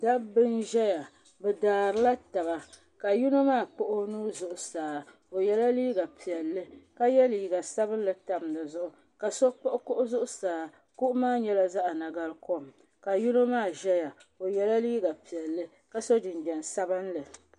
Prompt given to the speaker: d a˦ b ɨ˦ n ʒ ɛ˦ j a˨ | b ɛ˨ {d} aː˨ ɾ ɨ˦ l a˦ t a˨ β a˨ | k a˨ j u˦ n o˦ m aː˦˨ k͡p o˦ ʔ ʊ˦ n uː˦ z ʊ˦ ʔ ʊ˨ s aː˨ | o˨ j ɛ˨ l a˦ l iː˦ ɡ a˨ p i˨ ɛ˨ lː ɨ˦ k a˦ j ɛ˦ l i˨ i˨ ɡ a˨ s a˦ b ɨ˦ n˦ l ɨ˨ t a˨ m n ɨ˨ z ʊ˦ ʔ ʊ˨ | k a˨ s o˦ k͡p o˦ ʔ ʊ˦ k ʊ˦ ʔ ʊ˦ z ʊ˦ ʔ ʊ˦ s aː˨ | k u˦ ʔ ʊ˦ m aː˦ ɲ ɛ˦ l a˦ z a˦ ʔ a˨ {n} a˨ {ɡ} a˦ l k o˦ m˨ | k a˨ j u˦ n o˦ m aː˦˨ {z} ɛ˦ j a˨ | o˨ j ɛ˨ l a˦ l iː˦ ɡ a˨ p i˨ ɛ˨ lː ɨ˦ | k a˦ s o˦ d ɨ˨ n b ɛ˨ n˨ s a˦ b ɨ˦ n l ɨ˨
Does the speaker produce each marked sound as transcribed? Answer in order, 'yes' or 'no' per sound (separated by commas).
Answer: yes, yes, yes, no